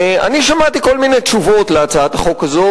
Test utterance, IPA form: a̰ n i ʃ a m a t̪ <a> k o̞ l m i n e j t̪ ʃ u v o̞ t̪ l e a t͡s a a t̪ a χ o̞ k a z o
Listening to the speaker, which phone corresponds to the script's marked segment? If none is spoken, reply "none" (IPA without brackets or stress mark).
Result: i